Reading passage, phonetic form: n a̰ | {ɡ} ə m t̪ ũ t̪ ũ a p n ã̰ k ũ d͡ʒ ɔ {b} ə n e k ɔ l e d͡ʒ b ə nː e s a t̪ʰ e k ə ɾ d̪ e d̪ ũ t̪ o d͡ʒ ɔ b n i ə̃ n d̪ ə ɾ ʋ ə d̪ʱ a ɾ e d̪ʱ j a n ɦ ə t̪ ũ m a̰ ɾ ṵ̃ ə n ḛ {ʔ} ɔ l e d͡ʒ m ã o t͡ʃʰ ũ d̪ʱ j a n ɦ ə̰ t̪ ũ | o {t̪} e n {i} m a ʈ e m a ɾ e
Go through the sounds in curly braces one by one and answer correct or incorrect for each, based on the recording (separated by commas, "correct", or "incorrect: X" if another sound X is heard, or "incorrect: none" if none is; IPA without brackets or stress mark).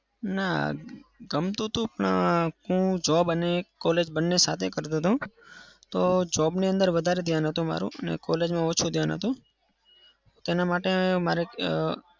correct, correct, incorrect: k, correct, incorrect: a